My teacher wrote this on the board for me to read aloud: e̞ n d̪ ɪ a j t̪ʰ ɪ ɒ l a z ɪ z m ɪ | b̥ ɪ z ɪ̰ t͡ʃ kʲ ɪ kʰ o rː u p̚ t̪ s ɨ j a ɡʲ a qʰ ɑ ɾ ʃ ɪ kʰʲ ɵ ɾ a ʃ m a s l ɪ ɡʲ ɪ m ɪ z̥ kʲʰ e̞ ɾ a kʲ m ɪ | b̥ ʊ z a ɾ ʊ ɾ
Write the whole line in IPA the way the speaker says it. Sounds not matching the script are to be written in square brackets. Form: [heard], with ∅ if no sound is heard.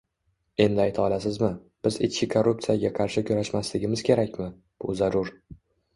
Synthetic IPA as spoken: e̞ n d̪ ɪ a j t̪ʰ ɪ ɒ l a [s] ɪ z m ɪ | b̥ ɪ z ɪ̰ t͡ʃ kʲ ɪ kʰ o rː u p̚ t̪ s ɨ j a ɡʲ a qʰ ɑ ɾ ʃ ɪ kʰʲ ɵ ɾ a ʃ m a s l ɪ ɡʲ ɪ m ɪ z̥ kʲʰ e̞ ɾ a kʲ m ɪ | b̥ ʊ z a ɾ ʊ ɾ